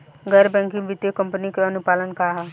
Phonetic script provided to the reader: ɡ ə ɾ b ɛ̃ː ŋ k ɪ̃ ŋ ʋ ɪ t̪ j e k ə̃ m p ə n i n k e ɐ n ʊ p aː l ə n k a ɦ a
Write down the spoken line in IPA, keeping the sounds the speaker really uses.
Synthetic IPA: ɡ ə ɾ b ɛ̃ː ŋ k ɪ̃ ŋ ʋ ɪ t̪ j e k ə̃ m p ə n i k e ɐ n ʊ p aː l ə n k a ɦ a